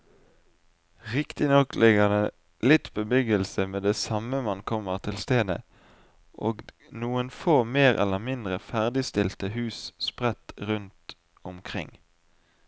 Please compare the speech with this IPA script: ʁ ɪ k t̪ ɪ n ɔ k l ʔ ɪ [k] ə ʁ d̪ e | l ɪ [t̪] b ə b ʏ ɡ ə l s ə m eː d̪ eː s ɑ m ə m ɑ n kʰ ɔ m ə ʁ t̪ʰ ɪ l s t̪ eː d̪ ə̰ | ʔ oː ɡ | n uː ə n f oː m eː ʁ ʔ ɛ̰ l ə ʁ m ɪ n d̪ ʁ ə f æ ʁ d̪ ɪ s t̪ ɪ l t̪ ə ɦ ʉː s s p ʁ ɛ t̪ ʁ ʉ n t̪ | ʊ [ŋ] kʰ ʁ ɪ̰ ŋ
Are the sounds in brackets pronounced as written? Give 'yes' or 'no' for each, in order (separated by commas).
no, yes, no